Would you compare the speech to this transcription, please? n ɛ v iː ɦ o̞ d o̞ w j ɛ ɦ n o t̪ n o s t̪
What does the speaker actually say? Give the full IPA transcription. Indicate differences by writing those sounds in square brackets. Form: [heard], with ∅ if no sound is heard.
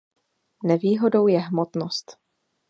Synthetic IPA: n ɛ v iː ɦ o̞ d o̞ w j ɛ ɦ [m] o t̪ n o s t̪